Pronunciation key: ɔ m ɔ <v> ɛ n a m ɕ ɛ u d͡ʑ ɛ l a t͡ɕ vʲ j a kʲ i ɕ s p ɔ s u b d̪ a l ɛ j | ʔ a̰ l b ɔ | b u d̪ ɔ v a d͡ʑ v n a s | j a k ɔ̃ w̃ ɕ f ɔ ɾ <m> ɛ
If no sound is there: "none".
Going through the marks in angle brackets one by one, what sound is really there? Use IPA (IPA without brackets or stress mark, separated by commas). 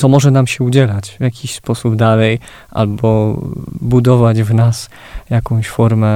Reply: ʐ, m